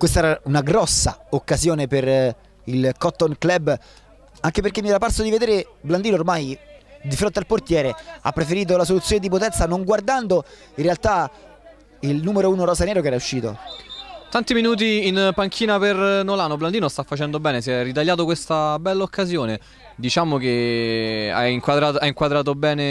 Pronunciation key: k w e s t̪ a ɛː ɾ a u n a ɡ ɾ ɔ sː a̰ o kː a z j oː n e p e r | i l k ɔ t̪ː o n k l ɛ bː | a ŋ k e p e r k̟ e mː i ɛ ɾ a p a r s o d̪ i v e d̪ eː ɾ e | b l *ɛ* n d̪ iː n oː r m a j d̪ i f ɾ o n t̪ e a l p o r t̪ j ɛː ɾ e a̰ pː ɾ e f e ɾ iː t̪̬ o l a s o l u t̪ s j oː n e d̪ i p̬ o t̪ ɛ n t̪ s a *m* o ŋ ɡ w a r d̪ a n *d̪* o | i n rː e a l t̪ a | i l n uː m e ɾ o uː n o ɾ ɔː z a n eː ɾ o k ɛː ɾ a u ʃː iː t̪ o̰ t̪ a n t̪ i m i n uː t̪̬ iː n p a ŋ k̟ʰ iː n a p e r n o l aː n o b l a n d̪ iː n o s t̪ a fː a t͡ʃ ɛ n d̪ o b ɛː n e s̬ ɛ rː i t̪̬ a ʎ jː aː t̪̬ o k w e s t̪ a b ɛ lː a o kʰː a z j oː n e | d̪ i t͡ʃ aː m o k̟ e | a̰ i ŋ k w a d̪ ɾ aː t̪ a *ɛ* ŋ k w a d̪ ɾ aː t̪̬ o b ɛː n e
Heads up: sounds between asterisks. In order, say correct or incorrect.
incorrect, incorrect, correct, incorrect

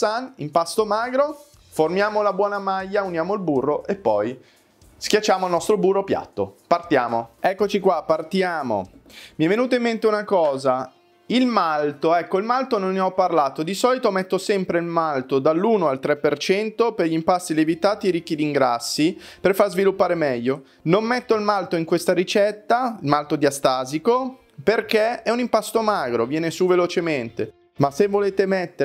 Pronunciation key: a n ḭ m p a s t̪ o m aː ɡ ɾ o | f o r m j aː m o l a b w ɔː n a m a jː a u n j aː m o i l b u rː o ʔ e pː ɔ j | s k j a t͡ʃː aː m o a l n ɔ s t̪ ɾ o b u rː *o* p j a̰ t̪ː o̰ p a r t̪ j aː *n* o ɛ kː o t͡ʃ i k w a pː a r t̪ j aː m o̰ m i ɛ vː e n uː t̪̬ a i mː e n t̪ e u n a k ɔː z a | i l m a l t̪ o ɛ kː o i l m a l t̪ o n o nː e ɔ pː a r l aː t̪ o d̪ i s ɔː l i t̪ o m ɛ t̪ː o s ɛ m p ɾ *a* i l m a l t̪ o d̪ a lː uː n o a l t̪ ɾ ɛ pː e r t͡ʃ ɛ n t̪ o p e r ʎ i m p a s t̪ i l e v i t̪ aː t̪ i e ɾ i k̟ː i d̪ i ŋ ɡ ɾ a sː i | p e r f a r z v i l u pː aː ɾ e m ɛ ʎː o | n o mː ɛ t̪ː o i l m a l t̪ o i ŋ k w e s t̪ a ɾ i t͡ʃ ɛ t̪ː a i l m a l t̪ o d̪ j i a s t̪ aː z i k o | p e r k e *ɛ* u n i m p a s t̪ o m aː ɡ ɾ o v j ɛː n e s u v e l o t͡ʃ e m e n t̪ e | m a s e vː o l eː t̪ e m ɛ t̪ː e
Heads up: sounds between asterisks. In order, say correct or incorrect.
correct, incorrect, incorrect, correct

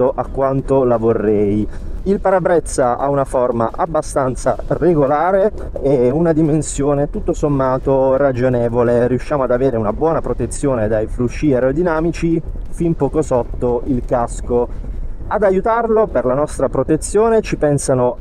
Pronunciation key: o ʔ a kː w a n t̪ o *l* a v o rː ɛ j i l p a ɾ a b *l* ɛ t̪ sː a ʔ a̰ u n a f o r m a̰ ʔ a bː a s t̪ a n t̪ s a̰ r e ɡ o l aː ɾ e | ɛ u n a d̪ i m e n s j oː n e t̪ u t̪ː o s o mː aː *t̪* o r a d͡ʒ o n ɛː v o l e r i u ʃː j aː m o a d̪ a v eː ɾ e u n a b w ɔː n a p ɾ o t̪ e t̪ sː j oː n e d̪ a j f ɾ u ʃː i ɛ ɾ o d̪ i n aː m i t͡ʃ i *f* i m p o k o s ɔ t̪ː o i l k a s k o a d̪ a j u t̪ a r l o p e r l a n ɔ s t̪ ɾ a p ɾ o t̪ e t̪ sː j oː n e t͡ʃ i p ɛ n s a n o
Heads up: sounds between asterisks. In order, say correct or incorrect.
correct, incorrect, correct, correct

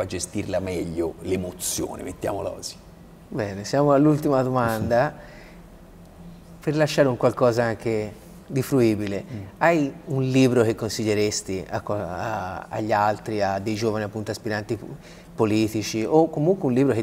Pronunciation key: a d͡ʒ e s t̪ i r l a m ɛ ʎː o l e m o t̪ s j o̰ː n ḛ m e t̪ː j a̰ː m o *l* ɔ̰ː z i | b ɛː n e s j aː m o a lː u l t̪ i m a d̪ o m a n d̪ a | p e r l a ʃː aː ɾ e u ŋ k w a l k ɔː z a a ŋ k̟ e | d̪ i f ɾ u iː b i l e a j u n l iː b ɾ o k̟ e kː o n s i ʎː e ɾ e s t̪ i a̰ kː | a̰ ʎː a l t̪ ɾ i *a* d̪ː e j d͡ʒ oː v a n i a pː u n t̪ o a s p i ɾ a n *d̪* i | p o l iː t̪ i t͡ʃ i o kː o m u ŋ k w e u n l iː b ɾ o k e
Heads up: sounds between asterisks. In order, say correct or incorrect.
correct, correct, incorrect

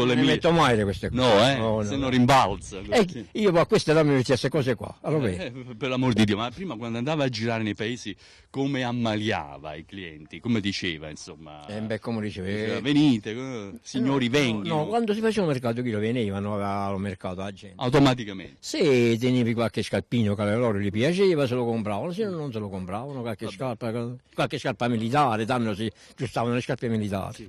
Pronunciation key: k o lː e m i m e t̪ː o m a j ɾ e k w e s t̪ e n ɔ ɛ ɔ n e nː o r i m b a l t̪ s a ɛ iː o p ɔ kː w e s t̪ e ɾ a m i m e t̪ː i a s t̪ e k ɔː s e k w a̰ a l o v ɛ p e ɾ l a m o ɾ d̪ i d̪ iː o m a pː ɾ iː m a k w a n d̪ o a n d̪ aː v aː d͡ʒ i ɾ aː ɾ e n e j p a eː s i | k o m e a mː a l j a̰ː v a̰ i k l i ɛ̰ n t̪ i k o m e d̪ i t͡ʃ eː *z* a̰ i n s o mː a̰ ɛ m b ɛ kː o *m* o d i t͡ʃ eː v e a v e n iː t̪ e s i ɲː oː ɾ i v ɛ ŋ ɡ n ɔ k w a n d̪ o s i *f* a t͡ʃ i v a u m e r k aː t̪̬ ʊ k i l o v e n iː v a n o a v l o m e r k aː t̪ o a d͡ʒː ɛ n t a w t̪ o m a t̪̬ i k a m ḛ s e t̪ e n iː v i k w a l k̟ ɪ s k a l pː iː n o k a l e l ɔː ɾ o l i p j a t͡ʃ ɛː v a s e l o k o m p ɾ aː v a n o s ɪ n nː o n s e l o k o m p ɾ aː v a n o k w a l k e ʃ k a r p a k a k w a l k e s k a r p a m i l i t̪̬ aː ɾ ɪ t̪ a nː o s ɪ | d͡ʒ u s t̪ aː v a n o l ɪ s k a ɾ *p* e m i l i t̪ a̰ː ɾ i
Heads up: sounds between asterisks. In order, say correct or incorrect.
incorrect, correct, correct, correct

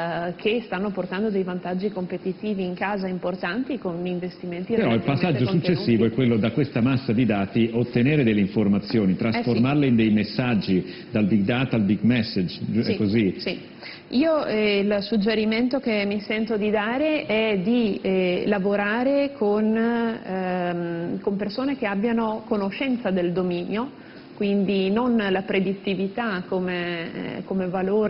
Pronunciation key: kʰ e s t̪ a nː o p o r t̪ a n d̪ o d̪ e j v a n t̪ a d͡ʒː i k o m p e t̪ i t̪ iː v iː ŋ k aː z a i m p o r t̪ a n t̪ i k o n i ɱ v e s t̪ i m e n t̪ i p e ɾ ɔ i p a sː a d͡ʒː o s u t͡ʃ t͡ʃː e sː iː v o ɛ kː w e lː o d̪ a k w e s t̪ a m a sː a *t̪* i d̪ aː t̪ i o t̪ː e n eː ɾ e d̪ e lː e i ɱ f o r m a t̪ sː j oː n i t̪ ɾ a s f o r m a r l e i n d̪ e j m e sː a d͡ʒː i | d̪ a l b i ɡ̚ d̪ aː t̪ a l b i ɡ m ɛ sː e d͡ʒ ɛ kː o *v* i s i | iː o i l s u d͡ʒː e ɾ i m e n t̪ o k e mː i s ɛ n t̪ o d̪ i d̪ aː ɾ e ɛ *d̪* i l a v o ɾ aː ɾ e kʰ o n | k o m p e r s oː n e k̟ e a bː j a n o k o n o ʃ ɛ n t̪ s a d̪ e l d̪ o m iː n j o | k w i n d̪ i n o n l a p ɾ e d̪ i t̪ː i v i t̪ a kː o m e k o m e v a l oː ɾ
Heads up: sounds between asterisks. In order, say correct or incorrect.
incorrect, incorrect, correct

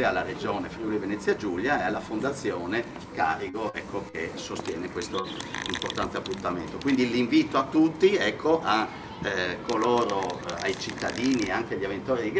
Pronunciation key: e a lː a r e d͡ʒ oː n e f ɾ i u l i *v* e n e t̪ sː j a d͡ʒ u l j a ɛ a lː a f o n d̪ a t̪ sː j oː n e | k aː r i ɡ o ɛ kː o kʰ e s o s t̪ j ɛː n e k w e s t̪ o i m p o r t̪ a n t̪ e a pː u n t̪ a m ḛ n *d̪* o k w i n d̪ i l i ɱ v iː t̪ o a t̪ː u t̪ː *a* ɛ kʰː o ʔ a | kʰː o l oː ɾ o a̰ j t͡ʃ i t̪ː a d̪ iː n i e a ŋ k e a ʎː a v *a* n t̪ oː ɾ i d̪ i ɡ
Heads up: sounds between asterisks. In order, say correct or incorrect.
correct, incorrect, incorrect, incorrect

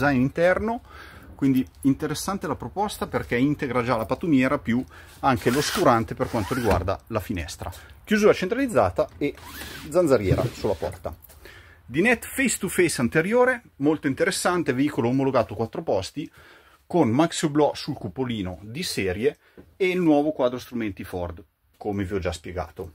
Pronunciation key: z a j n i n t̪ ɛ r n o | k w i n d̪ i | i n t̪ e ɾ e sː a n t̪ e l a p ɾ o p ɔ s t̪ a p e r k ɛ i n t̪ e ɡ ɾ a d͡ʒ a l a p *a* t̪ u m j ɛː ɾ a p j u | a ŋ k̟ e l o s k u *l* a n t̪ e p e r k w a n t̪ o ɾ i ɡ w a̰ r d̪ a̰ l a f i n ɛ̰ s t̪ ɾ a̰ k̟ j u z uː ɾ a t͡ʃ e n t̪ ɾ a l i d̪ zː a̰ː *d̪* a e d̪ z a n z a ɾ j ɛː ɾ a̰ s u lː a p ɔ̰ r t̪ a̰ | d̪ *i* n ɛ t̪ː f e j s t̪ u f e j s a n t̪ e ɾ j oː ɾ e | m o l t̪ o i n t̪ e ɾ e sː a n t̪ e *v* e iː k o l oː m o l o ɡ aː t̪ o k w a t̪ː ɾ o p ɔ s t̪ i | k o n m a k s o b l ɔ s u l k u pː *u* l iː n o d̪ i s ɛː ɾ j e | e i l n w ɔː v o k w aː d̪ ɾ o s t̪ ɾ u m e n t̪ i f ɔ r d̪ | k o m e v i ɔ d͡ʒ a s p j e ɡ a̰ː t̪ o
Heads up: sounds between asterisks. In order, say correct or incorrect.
correct, incorrect, incorrect, correct, correct, incorrect

